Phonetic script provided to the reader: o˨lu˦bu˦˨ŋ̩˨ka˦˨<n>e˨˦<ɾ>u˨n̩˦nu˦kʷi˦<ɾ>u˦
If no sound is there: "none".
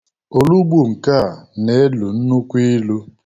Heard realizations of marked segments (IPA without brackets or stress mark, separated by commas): n, l, l